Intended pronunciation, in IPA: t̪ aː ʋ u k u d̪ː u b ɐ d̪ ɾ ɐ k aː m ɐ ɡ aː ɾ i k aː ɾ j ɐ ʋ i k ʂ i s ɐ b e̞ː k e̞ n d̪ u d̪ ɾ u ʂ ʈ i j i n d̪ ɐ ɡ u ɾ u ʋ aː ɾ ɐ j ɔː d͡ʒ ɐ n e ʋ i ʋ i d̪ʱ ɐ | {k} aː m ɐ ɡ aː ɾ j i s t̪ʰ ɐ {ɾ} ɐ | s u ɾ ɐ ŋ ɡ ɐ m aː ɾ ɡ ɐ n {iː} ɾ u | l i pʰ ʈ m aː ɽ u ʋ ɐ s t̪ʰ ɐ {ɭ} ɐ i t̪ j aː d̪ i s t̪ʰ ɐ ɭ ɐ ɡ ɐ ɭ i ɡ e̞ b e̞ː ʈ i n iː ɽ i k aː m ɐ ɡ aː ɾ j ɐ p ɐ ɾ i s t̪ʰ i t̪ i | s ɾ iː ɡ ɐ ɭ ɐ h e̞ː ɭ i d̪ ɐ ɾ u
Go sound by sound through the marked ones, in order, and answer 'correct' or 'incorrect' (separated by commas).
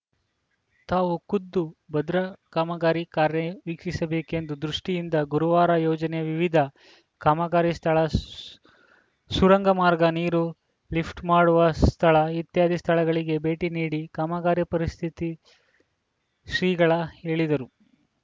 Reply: correct, incorrect, correct, correct